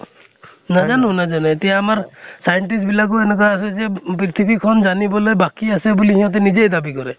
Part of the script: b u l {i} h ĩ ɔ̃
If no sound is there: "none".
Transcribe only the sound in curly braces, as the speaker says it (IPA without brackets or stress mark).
i